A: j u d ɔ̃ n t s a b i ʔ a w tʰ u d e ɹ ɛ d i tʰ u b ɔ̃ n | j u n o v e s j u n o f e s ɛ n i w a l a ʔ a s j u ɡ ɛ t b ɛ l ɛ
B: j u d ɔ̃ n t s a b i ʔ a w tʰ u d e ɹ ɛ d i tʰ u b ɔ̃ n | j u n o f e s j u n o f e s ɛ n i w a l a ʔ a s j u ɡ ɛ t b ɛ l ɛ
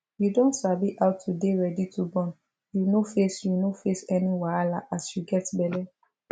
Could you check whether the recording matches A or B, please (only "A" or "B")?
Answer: B